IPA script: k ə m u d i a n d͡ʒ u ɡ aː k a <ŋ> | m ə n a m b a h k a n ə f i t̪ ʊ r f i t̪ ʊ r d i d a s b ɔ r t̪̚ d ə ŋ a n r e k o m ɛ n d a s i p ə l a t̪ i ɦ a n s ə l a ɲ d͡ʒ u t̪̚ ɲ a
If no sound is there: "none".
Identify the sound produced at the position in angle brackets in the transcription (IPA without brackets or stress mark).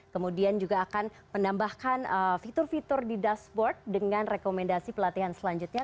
n